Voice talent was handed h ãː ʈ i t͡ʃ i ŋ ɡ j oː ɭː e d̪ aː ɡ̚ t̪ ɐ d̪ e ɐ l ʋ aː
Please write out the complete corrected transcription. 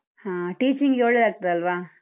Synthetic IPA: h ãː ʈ iː t͡ʃ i ŋ ɡ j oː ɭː e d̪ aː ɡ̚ t̪ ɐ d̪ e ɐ l ʋ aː

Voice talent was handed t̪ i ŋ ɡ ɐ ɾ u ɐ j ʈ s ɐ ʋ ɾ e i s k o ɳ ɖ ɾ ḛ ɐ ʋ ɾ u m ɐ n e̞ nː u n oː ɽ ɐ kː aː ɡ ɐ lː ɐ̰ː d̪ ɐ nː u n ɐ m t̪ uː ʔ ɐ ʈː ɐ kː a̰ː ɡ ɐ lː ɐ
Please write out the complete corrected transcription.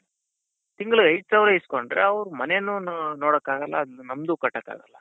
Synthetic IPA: t̪ i ŋ ɡ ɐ ɭ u ɐ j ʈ s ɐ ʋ ɾ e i s k o ɳ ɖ ɾ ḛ ɐ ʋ ɾ u m ɐ n e̞ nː u n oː ɽ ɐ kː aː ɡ ɐ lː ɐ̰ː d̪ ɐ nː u n ɐ m d̪ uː k ɐ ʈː ɐ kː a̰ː ɡ ɐ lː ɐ

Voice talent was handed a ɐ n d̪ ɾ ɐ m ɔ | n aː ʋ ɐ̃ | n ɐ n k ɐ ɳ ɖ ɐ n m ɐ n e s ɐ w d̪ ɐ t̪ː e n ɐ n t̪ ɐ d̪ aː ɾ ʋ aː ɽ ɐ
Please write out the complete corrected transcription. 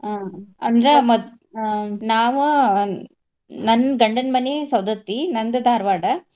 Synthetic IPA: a ɐ n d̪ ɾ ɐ m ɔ | n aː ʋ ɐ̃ | n ɐ n ɡ ɐ ɳ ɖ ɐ n m ɐ n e s ɐ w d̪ ɐ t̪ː i n ɐ n d̪ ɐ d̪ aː ɾ ʋ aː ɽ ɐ

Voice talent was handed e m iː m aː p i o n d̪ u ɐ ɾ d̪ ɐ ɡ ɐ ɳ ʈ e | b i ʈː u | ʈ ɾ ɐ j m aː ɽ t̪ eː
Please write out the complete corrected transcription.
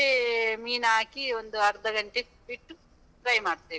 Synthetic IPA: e m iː n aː k i o n d̪ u ɐ ɾ d̪ ɐ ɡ ɐ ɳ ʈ e | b i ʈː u | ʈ ɾ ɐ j m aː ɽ t̪ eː

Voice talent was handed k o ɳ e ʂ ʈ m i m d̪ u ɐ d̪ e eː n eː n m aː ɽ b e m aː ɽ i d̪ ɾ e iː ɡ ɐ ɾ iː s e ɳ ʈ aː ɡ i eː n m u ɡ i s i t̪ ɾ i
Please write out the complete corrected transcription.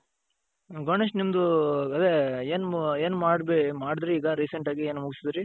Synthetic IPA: ɡ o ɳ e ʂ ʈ n i m d̪ u ɐ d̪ e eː n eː n m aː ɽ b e m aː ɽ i d̪ ɾ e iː ɡ ɐ ɾ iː s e ɳ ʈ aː ɡ i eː n m u ɡ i s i d̪ ɾ i

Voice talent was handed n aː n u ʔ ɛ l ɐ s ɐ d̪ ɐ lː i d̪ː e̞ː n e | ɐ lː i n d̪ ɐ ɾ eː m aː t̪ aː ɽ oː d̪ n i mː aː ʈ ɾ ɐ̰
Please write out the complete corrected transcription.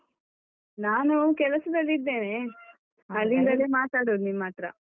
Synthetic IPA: n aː n u k ɛ l ɐ s ɐ d̪ ɐ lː i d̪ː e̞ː n e | ɐ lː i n d̪ ɐ l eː m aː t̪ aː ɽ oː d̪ n i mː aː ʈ ɾ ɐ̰

